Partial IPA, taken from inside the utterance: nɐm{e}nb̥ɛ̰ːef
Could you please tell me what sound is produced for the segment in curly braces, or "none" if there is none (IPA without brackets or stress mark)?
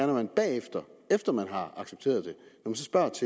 æ